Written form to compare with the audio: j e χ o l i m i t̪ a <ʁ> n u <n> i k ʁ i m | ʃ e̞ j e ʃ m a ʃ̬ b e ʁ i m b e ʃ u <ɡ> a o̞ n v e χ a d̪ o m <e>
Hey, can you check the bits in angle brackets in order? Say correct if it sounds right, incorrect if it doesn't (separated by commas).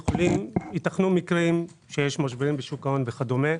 incorrect, incorrect, incorrect, correct